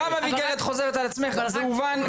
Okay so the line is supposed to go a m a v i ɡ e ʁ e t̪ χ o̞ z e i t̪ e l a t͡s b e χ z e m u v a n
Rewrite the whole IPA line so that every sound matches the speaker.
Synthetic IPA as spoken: a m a v i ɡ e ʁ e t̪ χ o̞ z e e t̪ a l a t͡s m e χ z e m u v a n

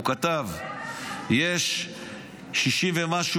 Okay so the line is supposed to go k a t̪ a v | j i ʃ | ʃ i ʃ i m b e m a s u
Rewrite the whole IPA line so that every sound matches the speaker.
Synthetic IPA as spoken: k a t̪ a v | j e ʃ | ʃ i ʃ i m v e m a ʃ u

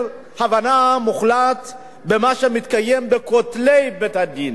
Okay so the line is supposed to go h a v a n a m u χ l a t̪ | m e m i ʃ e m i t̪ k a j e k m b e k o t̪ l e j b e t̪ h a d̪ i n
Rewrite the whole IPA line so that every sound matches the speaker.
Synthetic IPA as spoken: h a v a n a m u χ l a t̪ | b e m a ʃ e m i t̪ k a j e m b e k o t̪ l e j b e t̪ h a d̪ i n

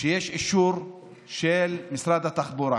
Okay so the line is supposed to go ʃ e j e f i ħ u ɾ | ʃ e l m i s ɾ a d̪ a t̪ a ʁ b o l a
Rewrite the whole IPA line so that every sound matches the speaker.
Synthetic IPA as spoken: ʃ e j e ʃ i ʃ u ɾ | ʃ e l m i s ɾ a d̪ a t̪ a χ b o ɾ a

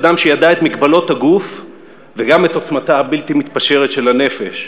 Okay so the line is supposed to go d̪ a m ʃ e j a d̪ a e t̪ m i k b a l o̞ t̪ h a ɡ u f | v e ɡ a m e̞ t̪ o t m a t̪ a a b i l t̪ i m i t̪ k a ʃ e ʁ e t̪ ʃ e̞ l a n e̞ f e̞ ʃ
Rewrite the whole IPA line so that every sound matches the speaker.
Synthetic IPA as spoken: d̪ a m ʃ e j a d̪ a e t̪ m i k b a l o̞ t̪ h a ɡ u f | v e ɡ a m e̞ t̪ o t͡s m a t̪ a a b i l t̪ i m i t̪ p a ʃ e ʁ e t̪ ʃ e̞ l a n e̞ f e̞ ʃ

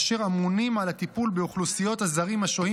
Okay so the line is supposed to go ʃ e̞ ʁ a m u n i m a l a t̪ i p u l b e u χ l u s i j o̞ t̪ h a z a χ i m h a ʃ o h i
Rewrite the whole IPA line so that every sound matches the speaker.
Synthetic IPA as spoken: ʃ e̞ ʁ a m u n i m a l a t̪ i p u l b e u χ l u s i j o̞ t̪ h a z a ʁ i m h a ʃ o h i

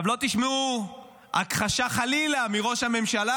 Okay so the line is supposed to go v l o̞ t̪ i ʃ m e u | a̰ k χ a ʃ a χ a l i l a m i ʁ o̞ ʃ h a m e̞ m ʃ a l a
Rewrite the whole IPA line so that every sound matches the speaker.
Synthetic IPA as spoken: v l o̞ t̪ i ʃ m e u | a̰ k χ a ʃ a χ a l i l a m i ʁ o̞ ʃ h a m e̞ m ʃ a l a

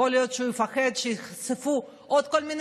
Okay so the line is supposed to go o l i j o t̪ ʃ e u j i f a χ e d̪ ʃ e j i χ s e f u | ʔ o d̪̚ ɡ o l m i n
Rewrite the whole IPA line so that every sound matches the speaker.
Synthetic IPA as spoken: o l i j o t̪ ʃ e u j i f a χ e d̪ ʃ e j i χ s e f u | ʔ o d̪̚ k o l m i n

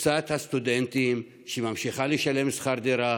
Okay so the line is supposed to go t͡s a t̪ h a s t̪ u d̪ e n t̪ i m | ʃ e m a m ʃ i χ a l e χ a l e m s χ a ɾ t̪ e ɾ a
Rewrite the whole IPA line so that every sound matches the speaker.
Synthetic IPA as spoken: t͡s a t̪ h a s t̪ u d̪ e n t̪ i m | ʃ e m a m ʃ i χ a l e ʃ a l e m s χ a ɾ d̪ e ɾ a

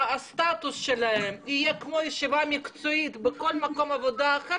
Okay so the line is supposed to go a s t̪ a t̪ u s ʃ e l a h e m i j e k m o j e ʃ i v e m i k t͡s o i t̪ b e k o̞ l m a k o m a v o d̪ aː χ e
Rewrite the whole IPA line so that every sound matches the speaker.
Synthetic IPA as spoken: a s t̪ a t̪ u s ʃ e l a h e m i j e k m o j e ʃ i v a m i k t͡s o i t̪ b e k o̞ l m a k o m a v o d̪ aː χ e

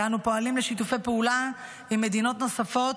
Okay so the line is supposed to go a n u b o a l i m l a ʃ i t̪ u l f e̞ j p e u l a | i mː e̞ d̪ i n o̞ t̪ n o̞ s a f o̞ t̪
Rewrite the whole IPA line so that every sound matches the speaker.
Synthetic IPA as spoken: a n u p o a l i m l e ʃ i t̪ u f e̞ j p e u l a | i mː e̞ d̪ i n o̞ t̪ n o̞ s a f o̞ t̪

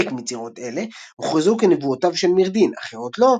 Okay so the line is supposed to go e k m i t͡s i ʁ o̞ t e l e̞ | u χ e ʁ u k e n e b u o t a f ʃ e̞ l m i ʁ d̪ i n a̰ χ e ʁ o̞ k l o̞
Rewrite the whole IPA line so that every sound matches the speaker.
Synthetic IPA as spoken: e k m i t͡s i ʁ o̞ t e l e̞ | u χ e z u k e n e v u o t a v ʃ e̞ l m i ʁ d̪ i n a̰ χ e ʁ o̞ t l o̞

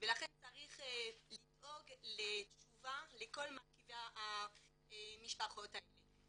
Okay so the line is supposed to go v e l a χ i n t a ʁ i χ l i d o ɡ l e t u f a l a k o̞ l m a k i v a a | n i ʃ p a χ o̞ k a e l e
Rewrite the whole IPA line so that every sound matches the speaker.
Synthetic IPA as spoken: v e l a χ e n t͡s a ʁ i χ l i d o ɡ l e t͡ʃ u v a l e k o̞ l m a k i v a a | m i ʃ p a χ o̞ t a e l e

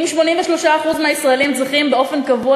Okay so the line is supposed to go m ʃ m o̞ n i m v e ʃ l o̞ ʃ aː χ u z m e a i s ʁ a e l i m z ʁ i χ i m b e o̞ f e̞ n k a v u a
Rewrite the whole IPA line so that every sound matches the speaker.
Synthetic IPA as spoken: m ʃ m o̞ n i m v e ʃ l o̞ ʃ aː χ u z m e a i s ʁ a e l i m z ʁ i χ i m b e o̞ f e̞ n k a v u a

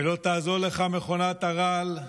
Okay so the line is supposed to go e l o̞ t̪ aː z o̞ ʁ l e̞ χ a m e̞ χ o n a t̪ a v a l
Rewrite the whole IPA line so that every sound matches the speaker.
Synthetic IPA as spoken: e l o̞ t̪ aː z o̞ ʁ l e̞ χ a m e̞ χ o n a t̪ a ʁ a l

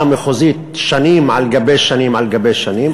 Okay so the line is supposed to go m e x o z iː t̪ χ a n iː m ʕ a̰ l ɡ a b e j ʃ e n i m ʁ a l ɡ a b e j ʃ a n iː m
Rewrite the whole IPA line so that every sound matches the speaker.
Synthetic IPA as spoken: m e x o z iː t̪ ʃ a n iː m ʕ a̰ l ɡ a b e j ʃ a n i m ʕ a l ɡ a b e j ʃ a n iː m

